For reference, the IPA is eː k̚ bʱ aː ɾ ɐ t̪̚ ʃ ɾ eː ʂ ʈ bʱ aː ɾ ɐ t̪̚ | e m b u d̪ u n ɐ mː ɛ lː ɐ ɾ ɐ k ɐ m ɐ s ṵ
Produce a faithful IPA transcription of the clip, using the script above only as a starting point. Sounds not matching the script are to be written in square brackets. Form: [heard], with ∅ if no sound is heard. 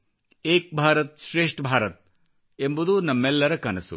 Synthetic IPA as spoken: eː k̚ bʱ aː ɾ ɐ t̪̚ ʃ ɾ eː ʂ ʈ bʱ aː ɾ ɐ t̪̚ | e m b u d̪ u n ɐ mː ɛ lː ɐ ɾ ɐ k ɐ [n] ɐ s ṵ